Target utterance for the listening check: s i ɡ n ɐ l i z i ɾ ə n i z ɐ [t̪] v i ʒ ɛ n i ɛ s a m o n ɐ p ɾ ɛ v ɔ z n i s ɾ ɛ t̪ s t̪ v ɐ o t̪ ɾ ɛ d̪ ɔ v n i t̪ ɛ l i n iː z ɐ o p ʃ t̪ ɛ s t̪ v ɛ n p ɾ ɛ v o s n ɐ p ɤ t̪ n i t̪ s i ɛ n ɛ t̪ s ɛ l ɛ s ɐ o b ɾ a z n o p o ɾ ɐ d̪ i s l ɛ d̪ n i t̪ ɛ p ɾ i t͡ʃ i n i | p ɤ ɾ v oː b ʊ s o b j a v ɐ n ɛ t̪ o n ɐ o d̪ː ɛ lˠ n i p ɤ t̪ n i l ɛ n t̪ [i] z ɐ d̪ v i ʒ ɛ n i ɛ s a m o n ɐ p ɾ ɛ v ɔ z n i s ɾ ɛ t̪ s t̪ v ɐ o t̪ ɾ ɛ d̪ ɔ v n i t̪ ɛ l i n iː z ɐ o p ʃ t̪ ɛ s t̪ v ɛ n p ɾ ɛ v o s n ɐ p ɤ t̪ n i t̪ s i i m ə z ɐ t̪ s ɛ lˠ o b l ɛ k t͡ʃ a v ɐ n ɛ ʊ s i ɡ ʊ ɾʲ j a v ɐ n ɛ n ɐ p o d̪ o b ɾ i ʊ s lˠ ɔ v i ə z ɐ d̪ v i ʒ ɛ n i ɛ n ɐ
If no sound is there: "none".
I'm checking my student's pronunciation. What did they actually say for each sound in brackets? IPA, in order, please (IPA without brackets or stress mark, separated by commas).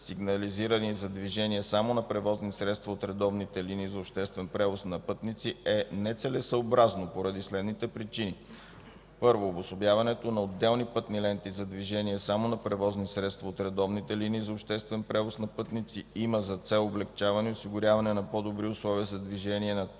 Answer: d̪, i